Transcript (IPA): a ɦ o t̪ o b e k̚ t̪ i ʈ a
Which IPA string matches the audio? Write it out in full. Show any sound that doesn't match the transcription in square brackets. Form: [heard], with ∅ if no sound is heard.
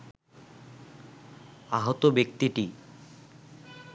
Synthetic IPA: a ɦ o t̪ o b e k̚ t̪ i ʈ [i]